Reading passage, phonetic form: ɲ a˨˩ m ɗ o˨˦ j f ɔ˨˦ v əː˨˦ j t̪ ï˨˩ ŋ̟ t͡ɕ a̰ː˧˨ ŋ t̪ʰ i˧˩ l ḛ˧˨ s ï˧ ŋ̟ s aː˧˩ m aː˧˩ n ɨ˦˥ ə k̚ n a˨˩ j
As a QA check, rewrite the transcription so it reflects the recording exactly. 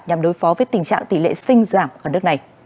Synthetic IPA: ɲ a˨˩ m ɗ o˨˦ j f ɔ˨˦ v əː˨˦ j t̪ ï˨˩ ŋ̟ t͡ɕ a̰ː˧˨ ŋ t̪ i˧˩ l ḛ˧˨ s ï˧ ŋ̟ z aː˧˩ m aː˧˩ n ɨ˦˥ ə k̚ n a˨˩ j